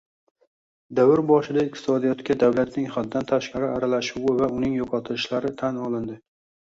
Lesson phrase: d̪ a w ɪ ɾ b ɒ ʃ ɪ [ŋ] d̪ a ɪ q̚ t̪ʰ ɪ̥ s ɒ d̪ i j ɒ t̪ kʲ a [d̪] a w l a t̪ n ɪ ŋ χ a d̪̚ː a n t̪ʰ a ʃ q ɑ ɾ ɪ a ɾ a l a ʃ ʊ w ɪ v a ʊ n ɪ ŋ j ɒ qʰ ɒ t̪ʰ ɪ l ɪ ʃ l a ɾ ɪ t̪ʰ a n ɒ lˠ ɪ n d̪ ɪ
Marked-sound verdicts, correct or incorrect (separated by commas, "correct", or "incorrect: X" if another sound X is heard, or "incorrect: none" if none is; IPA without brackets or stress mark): incorrect: none, correct